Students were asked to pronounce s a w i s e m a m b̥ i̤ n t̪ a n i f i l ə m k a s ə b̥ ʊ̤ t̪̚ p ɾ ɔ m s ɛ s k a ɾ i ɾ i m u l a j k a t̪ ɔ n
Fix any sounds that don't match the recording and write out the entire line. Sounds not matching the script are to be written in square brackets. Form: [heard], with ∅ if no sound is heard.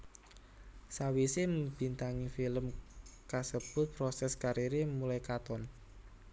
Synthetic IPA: s a w i s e m [ə] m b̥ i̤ n t̪ a [ŋ] i f i l ə m k a s ə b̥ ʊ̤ t̪̚ p ɾ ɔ [∅] s ɛ s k a ɾ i ɾ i m u l a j k a t̪ ɔ n